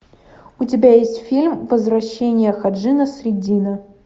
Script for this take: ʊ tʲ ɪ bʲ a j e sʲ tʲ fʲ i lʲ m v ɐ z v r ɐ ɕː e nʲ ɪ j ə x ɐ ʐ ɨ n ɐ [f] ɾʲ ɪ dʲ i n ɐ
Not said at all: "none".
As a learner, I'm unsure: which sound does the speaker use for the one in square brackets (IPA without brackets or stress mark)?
s